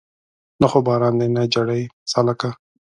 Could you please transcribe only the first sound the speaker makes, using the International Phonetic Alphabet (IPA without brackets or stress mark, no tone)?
n